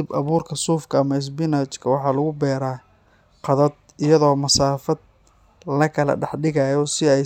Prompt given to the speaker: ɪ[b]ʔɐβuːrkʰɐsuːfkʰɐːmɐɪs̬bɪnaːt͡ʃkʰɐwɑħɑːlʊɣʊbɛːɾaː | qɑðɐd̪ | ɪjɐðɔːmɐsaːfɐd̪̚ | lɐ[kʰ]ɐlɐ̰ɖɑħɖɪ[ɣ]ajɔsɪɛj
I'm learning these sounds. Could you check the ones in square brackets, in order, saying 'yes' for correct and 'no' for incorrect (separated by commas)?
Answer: yes, yes, yes